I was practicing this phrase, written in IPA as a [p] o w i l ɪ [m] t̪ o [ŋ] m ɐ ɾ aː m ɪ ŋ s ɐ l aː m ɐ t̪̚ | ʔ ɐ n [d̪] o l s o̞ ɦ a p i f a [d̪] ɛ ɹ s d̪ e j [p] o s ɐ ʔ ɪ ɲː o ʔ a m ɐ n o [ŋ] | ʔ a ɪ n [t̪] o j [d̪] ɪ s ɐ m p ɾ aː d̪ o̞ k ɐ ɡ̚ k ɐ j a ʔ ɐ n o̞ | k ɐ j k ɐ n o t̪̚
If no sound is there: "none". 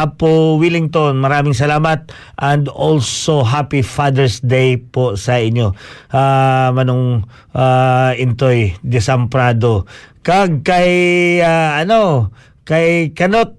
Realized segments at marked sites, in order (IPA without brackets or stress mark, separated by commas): p, ŋ, n, d̪, d̪, p, ŋ, t̪, d̪